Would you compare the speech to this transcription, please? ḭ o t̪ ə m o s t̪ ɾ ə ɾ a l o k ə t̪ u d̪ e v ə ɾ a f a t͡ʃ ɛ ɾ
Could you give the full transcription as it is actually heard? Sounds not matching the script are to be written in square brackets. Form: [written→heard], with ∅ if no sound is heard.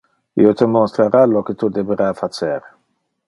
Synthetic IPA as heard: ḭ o t̪ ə m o s t̪ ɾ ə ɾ a l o k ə t̪ u d̪ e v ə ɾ a f a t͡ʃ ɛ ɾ